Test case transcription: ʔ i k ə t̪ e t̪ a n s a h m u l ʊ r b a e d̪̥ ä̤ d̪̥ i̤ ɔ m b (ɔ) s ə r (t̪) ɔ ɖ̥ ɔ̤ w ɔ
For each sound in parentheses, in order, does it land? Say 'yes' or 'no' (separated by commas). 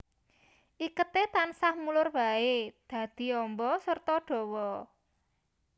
yes, yes